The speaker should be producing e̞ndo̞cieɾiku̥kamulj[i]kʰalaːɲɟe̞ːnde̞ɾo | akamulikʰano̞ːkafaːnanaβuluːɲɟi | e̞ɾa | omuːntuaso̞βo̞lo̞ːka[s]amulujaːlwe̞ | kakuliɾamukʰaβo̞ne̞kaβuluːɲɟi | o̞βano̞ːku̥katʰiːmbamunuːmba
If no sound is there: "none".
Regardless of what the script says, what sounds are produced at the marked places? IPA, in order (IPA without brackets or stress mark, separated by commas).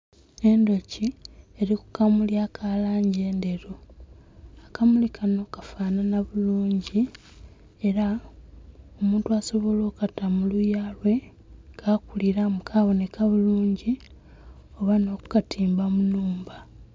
a, t